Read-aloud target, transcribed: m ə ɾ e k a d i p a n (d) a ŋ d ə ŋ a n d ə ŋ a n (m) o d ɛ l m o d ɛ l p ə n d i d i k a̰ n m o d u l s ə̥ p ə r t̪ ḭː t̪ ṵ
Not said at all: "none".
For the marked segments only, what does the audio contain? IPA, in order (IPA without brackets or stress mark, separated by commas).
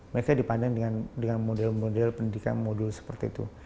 d, m